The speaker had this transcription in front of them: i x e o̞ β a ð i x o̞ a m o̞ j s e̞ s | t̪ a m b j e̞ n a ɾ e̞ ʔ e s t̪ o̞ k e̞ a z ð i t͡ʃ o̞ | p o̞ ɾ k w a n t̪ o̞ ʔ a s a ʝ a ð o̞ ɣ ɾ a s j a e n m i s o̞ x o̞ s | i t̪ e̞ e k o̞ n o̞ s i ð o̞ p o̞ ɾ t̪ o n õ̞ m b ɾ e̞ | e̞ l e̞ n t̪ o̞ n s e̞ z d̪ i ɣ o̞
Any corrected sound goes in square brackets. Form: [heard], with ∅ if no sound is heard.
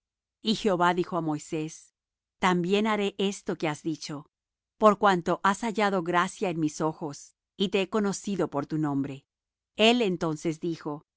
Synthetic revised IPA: i x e o̞ β a ð i x o̞ a m o̞ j s e̞ s | t̪ a m b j e̞ n a ɾ e̞ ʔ e s t̪ o̞ k e̞ a z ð i t͡ʃ o̞ | p o̞ ɾ k w a n t̪ o̞ ʔ a s a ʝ a ð o̞ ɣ ɾ a s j a e n m i s o̞ x o̞ s | i t̪ e̞ e k o̞ n o̞ s i ð o̞ p o̞ ɾ t̪ [u] n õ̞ m b ɾ e̞ | e̞ l e̞ n t̪ o̞ n s e̞ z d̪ i [x] o̞